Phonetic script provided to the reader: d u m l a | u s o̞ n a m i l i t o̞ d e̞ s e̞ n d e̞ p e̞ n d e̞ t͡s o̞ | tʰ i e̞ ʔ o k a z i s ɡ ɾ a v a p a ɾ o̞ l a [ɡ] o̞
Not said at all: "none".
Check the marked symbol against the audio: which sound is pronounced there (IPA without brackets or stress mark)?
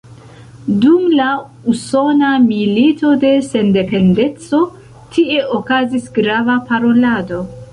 d